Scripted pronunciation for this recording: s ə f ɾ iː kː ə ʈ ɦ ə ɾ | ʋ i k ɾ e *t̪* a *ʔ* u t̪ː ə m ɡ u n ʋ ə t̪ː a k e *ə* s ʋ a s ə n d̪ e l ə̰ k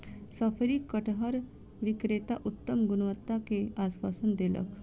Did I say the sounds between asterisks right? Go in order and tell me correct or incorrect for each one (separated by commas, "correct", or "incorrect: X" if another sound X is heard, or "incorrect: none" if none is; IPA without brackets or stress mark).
correct, correct, incorrect: a